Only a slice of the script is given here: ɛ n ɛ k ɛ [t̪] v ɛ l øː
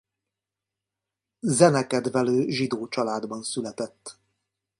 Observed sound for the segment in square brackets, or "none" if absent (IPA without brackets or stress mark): d̪